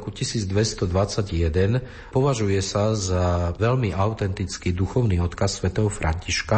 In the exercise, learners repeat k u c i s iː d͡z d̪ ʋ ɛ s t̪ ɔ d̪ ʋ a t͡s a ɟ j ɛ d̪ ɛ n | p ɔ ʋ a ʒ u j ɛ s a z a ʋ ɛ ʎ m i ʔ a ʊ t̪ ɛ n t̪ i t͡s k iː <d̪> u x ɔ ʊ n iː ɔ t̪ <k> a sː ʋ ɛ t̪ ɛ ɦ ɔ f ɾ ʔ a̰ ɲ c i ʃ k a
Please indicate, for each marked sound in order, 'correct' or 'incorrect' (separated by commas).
correct, correct